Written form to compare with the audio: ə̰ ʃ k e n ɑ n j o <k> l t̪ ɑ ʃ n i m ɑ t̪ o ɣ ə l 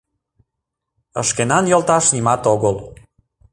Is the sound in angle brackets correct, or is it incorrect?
incorrect